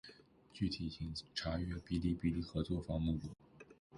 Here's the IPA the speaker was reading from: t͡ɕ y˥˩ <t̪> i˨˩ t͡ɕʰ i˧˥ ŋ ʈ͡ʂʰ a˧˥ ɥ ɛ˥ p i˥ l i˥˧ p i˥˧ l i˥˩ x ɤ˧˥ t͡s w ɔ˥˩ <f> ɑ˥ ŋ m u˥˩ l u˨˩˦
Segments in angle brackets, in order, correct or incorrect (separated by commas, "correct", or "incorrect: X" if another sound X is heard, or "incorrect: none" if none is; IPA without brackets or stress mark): incorrect: t̪ʰ, correct